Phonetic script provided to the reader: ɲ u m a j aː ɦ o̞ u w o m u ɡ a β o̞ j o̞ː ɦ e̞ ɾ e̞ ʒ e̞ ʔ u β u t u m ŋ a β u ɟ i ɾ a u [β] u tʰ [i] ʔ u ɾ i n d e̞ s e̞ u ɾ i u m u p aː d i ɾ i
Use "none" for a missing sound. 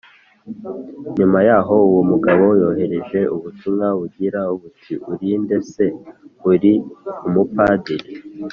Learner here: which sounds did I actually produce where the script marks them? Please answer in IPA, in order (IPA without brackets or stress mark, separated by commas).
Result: β, i